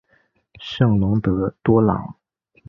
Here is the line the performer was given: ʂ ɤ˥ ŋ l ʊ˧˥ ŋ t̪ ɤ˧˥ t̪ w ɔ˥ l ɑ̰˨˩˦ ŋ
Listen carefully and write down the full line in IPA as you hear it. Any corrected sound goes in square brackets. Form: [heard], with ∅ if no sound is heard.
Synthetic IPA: ʂ [ɤ˥˩] ŋ l ʊ˧˥ ŋ t̪ ɤ˧˥ t̪ w ɔ˥ l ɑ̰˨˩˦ ŋ

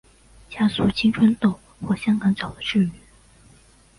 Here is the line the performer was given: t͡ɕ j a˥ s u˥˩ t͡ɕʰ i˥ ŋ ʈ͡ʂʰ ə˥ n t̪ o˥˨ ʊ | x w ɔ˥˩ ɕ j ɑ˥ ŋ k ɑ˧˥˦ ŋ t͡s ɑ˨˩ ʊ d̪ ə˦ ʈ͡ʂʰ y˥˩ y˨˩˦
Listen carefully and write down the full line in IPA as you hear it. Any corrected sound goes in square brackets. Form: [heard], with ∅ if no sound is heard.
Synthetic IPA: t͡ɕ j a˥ s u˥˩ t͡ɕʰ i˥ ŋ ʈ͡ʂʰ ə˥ n t̪ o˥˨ ʊ | x w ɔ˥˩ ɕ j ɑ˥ ŋ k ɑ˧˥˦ ŋ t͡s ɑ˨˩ ʊ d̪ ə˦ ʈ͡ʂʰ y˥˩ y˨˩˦

